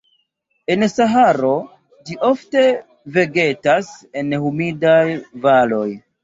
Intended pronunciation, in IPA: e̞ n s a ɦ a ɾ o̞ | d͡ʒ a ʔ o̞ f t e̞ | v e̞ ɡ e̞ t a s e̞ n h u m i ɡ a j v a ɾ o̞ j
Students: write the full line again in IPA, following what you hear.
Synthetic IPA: e̞ n s a ɦ a ɾ o̞ | d͡ʒ i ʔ o̞ f t e̞ | v e̞ ɡ e̞ t a s e̞ n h u m i d a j v a l o̞ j